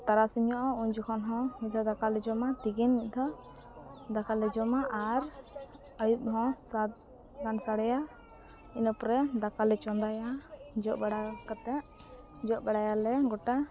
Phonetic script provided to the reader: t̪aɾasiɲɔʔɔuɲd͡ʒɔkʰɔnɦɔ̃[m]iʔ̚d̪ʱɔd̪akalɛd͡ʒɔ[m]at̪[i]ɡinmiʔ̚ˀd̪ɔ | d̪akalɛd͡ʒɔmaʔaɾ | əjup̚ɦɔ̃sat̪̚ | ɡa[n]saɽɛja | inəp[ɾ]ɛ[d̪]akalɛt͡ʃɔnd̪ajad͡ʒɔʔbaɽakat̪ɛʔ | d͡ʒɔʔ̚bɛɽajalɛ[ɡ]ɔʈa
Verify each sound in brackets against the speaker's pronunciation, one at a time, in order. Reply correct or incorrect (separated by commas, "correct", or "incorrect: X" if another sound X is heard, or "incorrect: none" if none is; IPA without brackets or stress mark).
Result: correct, correct, correct, correct, correct, correct, correct